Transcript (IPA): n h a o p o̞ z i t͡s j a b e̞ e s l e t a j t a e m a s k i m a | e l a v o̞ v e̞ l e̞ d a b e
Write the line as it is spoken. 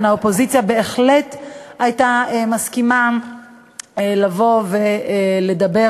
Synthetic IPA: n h a o p o̞ z i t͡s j a b e̞ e χ l e t a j t a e m a s k i m a | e l a v o̞ v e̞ l e̞ d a b e